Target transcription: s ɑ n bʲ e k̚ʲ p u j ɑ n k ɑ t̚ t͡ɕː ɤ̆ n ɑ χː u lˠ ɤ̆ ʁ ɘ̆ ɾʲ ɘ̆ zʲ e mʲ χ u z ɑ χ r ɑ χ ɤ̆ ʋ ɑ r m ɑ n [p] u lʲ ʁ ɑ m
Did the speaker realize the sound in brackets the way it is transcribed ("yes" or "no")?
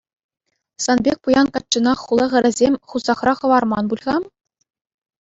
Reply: no